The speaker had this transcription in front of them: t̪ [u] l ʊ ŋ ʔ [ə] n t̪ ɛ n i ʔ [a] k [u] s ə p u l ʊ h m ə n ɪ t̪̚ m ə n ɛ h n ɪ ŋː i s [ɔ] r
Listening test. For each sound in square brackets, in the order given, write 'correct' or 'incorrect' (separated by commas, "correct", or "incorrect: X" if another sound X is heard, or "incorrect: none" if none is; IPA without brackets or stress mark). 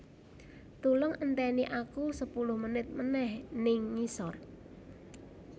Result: correct, correct, correct, correct, correct